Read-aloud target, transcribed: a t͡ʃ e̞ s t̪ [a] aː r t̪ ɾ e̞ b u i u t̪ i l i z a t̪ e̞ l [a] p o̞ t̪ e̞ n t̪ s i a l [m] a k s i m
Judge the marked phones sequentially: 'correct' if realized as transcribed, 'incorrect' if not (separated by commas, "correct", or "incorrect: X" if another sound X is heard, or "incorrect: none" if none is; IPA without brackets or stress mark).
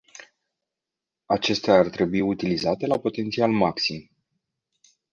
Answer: incorrect: e, correct, correct